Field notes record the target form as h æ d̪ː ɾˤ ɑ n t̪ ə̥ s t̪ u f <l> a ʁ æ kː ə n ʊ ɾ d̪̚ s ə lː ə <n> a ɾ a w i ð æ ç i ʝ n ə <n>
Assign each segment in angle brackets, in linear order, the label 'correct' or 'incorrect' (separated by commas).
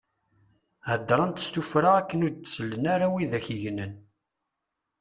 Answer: incorrect, correct, correct